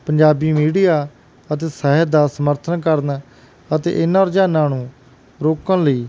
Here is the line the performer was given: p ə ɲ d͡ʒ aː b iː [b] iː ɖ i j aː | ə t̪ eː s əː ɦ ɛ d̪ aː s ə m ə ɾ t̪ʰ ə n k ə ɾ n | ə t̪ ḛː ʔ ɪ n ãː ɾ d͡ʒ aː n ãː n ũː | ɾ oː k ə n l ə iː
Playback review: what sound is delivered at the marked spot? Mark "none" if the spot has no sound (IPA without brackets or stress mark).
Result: m